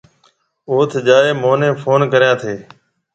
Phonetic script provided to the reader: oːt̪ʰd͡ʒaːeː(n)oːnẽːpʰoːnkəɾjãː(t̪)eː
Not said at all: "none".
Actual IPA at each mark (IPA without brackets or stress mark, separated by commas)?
m, t̪ʰ